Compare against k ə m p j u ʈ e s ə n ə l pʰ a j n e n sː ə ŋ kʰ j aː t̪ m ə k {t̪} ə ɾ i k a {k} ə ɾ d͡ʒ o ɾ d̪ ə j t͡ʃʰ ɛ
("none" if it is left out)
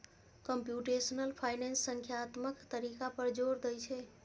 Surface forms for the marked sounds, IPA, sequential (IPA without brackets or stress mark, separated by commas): t̪, p